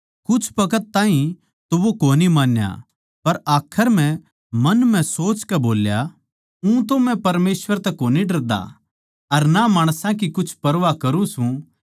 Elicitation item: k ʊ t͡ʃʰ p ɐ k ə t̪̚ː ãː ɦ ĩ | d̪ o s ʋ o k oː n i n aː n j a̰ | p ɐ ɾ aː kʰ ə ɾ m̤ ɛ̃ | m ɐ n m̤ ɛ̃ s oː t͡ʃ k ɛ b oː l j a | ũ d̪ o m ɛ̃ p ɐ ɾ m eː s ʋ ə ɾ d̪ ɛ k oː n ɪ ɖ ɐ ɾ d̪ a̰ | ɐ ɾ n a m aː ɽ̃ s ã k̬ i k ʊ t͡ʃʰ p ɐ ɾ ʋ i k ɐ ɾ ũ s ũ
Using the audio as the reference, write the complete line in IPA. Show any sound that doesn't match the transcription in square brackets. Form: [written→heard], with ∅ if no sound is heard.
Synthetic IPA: k ʊ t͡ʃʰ p ɐ k ə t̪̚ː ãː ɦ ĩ | [d̪→t̪] o [s→∅] ʋ o k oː n i [n→m] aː n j a̰ | p ɐ ɾ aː kʰ ə ɾ m̤ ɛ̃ | m ɐ n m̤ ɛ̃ s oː t͡ʃ k ɛ b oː l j a | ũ [d̪→t̪] o m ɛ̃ p ɐ ɾ m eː s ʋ ə ɾ [d̪→t̪] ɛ k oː n [ɪ→i] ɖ ɐ ɾ d̪ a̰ | ɐ ɾ n a m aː ɽ̃ s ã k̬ i k ʊ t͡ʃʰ p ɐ ɾ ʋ [i→a] k ɐ ɾ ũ s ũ